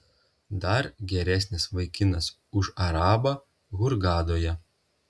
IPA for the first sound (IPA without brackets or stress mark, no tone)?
d̪